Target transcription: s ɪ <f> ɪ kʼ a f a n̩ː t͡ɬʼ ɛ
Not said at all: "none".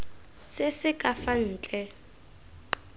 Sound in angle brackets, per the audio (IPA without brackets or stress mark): s